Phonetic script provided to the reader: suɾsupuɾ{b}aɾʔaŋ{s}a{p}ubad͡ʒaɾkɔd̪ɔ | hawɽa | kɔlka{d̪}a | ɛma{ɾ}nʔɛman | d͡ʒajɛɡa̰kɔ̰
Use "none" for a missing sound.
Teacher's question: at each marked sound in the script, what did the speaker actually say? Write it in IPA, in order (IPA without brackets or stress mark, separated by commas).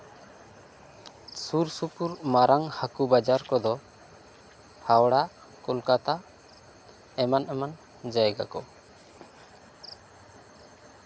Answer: m, h, k, t̪, none